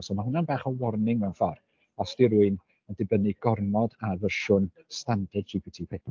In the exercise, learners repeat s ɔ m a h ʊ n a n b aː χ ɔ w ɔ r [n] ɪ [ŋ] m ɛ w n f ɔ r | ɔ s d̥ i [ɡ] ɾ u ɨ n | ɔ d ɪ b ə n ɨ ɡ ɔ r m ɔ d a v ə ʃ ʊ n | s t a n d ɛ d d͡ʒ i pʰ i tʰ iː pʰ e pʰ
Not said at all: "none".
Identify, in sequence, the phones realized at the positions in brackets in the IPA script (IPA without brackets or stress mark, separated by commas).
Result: n, ŋ, none